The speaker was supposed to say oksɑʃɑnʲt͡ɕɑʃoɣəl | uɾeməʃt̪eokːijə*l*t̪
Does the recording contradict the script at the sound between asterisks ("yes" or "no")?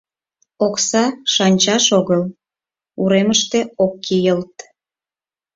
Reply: no